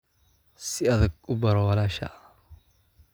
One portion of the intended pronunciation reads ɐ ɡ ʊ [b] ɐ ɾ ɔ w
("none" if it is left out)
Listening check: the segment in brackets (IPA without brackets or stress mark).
b